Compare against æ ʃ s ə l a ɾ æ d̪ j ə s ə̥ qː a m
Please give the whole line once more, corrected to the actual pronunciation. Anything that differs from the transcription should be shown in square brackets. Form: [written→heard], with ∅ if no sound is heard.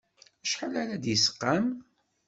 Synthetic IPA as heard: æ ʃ [s→ħ] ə l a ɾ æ d̪ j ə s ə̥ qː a m